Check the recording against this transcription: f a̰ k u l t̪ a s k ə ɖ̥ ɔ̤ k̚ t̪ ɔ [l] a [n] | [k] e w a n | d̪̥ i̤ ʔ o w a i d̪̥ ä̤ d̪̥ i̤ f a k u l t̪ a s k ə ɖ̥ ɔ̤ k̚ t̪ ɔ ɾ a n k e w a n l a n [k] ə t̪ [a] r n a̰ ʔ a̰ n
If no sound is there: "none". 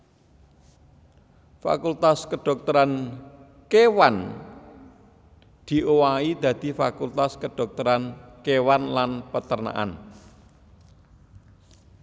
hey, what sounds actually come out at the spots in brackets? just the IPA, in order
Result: ɾ, n, k, p, ə

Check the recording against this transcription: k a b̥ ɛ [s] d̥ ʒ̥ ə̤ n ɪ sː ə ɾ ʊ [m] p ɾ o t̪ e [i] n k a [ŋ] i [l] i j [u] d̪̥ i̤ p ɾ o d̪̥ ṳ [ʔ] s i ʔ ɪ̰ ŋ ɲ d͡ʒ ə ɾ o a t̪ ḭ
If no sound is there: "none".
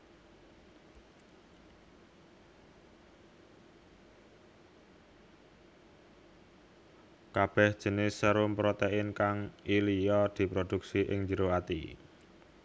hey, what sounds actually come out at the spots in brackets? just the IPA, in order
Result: h, m, ɪ, ŋ, l, ɔ, k

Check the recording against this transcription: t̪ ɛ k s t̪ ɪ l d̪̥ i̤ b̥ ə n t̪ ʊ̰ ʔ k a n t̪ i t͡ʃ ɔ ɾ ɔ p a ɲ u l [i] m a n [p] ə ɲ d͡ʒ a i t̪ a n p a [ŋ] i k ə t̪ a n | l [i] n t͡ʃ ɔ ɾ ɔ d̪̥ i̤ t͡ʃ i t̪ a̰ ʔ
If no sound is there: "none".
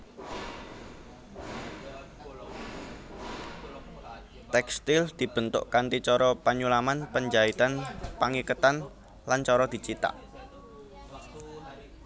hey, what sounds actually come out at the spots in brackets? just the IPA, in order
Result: a, p, ŋ, a

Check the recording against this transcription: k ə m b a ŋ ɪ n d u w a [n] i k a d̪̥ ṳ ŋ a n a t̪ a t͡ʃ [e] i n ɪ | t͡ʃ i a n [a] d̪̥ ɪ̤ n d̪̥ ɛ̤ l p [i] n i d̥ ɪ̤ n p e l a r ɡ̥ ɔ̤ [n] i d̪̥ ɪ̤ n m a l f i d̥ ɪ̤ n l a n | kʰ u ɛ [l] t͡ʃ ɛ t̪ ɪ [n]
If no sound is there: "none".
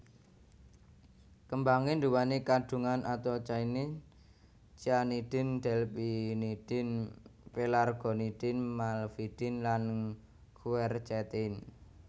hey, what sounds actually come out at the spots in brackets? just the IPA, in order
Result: n, a, i, i, n, r, n

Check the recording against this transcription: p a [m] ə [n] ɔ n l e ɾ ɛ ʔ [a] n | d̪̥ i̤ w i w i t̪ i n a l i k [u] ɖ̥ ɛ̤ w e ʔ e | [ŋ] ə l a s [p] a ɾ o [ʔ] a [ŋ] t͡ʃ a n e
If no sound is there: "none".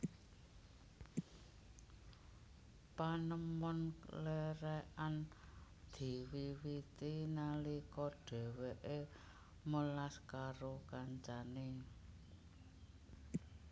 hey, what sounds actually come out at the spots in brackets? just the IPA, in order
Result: n, m, a, ɔ, m, k, k, ɲ

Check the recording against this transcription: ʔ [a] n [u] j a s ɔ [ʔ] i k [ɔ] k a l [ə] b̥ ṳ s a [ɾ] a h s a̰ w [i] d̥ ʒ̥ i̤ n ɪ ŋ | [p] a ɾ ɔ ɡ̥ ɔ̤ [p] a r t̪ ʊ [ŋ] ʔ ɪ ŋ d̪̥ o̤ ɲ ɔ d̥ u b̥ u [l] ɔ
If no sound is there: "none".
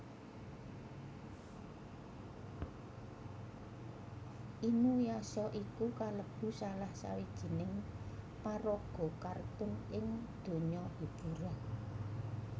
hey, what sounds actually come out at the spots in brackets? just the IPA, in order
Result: i, u, ʔ, u, ə, l, i, p, k, n, ɾ

